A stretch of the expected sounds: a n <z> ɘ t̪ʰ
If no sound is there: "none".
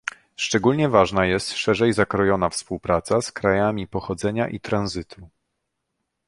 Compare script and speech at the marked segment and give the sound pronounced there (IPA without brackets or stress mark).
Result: z